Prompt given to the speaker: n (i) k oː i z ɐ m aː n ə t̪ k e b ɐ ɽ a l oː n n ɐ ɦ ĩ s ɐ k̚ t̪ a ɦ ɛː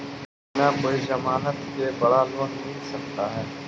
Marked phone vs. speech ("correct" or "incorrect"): incorrect